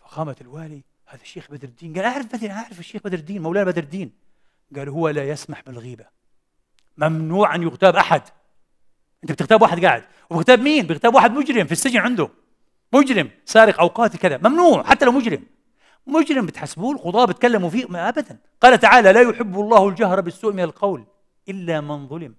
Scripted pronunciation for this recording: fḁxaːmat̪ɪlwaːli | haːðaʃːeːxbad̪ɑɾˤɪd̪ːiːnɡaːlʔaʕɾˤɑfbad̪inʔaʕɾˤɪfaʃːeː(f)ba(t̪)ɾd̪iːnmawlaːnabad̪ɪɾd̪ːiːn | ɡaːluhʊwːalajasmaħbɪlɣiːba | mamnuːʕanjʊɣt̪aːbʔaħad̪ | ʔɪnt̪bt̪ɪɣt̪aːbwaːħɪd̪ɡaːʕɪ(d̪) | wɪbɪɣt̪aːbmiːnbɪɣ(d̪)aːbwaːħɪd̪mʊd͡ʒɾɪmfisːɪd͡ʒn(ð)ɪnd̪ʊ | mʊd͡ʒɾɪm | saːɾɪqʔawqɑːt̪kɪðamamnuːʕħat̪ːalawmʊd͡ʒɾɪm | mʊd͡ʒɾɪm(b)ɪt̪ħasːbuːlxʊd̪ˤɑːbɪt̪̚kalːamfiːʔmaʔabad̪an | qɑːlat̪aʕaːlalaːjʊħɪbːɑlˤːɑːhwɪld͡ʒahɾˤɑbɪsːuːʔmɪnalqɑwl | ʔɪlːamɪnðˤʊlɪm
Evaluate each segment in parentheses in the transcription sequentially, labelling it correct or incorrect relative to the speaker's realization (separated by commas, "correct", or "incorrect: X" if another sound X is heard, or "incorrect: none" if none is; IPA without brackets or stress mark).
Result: incorrect: x, incorrect: d̪, correct, incorrect: t̪, incorrect: ʕ, correct